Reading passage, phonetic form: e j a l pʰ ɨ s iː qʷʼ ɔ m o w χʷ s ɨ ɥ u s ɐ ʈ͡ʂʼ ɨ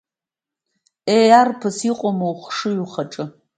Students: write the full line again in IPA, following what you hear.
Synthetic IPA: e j a r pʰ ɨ s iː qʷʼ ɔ m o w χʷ ʂ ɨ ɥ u χ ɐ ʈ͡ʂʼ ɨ